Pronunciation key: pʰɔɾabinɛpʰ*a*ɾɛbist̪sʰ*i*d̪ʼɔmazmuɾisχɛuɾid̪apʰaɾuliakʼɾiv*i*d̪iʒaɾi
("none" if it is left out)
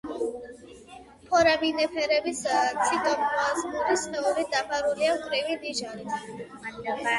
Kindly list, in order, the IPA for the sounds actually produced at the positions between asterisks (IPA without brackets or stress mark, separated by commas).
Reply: ɛ, i, i